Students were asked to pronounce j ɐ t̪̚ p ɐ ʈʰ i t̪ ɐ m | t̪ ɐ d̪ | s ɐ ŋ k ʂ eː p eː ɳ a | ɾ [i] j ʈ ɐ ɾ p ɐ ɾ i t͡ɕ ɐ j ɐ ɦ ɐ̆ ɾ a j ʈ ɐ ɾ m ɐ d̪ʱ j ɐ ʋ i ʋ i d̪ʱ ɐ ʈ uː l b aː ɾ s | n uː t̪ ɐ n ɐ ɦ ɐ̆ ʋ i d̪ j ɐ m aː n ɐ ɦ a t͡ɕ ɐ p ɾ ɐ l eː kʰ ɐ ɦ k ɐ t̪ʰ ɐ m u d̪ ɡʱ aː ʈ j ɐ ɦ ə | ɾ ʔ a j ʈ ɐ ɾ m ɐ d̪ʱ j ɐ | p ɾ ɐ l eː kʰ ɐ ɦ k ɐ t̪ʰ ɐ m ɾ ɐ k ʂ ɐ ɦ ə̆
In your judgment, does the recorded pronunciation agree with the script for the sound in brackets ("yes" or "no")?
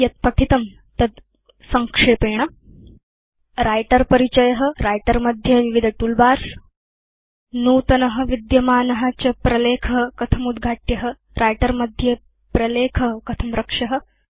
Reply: no